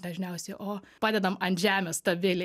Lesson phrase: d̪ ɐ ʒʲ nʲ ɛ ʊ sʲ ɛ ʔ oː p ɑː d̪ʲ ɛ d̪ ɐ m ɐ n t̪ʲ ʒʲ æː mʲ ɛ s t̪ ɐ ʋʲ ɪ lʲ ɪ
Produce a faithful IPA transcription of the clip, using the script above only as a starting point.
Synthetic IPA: d̪ ɐ ʒʲ nʲ ɛ ʊ sʲ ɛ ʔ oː p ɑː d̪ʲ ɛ d̪ ɐ m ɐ n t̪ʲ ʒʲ æː mʲ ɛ s t̪ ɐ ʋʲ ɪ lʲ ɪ